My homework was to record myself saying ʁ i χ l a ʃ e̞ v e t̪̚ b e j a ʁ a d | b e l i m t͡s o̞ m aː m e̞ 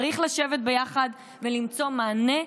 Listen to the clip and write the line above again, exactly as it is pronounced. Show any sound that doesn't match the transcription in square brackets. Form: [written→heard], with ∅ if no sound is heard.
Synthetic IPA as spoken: ʁ i χ l a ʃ e̞ v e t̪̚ b e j a [ʁ→χ] a d | [b→v] e l i m t͡s o̞ m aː [m→n] e̞